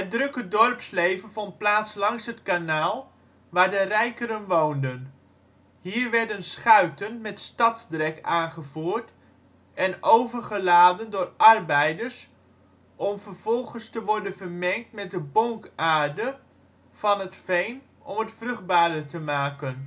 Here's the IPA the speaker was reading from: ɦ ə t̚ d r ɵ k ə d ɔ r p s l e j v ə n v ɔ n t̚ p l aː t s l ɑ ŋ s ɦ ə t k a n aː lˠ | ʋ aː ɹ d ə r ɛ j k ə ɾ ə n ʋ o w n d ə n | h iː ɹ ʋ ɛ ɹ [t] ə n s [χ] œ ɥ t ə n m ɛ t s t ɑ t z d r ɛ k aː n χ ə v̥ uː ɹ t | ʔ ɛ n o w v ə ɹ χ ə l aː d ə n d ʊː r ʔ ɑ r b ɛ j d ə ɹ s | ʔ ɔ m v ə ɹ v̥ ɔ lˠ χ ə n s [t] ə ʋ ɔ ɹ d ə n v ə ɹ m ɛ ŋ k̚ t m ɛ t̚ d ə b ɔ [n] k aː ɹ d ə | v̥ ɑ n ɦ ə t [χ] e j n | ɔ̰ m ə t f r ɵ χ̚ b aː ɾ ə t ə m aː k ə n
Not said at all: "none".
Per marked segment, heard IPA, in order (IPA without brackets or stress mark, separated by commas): d, χ, t, ŋ, f